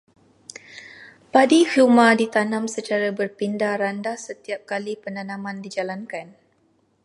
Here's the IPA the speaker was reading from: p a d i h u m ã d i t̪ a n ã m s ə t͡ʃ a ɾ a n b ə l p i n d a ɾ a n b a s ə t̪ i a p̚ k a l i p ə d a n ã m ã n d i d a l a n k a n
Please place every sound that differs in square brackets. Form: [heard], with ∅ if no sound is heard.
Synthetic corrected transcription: p a d i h u m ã d i t̪ a n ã m s ə t͡ʃ a ɾ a [∅] b ə [r] p i n d a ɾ a n [d] a s ə t̪ i a p̚ k a l i p ə [n] a n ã m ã n d i [d͡ʒ] a l a n k a n